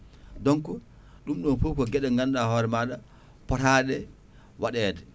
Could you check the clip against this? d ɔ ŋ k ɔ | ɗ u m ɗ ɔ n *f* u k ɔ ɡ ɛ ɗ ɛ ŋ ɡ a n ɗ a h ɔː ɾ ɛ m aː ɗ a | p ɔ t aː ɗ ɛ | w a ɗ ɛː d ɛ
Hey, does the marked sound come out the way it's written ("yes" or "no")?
yes